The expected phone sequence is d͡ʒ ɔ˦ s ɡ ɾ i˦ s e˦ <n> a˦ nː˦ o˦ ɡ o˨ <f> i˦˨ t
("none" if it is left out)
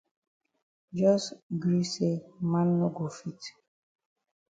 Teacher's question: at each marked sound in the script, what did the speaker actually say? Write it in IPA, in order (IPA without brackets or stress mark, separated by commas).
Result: m, f